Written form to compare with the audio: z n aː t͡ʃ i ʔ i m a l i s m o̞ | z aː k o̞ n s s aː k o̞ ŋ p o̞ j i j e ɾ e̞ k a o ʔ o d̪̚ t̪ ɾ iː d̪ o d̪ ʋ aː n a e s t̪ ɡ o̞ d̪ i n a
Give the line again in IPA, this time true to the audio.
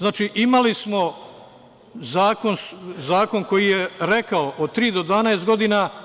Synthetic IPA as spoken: z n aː t͡ʃ i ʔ i m a l i s m o̞ | z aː k o̞ n s z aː k o̞ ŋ k o̞ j i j e ɾ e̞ k a o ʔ o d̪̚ t̪ ɾ iː d̪ o d̪ ʋ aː n a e s t̪ ɡ o̞ d̪ i n a